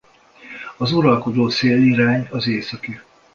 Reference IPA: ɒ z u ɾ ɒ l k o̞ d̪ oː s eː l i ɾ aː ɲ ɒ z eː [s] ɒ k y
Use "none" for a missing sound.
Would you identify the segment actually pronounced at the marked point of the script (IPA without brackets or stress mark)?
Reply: s